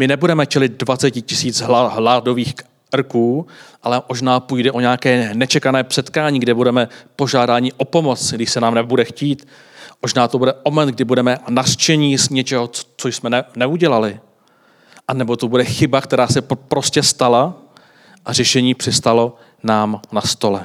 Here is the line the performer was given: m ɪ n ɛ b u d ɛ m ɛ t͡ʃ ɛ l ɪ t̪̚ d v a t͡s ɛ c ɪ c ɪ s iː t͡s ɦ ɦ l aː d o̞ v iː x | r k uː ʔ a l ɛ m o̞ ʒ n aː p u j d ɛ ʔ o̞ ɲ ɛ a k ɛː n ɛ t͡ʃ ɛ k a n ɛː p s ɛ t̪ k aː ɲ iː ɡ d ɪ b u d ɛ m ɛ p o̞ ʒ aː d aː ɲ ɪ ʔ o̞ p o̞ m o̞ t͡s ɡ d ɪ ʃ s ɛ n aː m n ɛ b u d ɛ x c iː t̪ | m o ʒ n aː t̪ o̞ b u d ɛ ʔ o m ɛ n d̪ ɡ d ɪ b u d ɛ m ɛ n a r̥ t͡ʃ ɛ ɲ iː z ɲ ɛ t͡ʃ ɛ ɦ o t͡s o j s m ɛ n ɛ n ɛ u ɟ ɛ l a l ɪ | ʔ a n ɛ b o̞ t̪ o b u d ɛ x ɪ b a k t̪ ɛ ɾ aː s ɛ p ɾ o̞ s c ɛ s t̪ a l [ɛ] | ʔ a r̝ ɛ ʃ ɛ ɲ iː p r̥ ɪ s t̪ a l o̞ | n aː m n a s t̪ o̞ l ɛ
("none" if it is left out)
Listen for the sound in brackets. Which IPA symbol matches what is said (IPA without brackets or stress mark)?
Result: a